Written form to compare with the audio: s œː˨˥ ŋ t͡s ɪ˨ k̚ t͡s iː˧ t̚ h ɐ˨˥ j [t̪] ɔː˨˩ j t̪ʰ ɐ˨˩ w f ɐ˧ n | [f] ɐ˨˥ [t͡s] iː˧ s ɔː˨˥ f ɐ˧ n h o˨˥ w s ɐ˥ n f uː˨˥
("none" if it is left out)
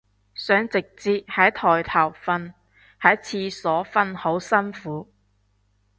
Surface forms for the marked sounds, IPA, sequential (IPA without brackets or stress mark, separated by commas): t̪ʰ, h, t͡sʰ